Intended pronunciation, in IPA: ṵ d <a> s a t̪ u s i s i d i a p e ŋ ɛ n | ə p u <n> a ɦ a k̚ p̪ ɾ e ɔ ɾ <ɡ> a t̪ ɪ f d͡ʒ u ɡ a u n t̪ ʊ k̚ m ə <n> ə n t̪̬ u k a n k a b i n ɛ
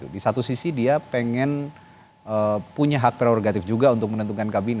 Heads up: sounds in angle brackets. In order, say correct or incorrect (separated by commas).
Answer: incorrect, incorrect, correct, correct